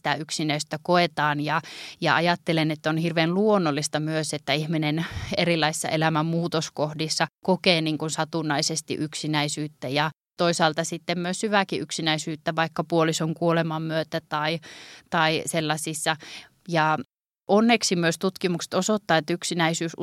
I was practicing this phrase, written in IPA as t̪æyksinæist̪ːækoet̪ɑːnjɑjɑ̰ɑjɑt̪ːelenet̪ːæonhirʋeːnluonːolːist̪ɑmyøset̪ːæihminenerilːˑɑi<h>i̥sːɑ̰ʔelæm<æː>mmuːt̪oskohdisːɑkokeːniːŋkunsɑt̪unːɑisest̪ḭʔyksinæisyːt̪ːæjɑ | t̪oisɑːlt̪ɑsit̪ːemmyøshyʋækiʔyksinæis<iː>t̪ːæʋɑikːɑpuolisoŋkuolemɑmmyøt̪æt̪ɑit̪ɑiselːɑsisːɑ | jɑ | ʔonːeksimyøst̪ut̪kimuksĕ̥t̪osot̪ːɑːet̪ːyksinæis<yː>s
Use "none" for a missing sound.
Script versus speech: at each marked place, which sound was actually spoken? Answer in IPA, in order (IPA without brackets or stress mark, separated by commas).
s, æ, yː, yː